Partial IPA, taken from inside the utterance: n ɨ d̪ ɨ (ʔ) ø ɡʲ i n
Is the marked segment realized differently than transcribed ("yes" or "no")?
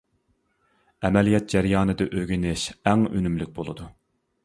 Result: no